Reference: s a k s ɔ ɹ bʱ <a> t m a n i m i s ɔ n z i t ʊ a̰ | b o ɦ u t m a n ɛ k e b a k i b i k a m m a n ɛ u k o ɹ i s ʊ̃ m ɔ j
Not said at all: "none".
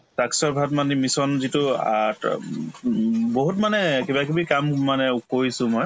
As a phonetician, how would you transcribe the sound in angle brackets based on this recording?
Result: a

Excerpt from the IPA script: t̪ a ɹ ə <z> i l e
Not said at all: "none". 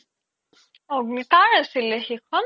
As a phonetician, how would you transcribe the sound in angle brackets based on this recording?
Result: s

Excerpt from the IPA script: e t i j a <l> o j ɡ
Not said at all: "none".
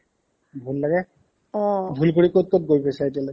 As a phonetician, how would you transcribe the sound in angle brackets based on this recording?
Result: l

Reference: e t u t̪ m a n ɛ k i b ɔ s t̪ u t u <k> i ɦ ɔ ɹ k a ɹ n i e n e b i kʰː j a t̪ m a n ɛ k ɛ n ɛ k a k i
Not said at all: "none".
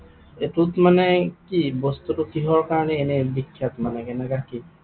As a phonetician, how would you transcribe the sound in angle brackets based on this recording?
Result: k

